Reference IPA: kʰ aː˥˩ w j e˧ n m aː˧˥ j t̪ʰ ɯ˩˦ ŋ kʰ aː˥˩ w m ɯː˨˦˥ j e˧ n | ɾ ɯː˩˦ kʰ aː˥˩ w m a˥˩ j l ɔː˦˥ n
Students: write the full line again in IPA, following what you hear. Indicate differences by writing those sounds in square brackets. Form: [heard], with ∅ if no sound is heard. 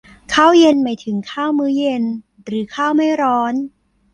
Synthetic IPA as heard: kʰ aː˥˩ w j e˧ n m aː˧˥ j t̪ʰ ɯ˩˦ ŋ kʰ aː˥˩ w m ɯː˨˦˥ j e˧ n | ɾ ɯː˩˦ kʰ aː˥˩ w m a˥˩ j [ɾ] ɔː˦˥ n